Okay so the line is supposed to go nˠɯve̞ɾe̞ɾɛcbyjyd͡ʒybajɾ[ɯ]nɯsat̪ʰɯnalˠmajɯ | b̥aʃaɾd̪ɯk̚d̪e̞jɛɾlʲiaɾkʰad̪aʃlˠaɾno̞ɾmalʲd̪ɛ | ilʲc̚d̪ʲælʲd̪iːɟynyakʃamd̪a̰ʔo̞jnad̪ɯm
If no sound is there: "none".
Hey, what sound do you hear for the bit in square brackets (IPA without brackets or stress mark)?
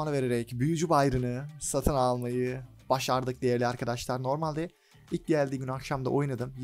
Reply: ɯ